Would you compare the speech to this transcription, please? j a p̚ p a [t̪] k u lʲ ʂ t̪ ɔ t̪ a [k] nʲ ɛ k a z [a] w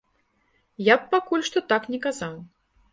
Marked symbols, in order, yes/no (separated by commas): no, yes, yes